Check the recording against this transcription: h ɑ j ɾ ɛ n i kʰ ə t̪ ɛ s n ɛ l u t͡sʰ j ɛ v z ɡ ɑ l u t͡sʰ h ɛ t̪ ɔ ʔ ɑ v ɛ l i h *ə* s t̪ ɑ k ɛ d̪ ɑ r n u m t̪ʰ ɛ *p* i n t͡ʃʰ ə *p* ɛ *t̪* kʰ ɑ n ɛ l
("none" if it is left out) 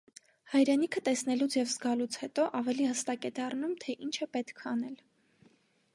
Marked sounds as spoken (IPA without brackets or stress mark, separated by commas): ə, ʔ, p, t̪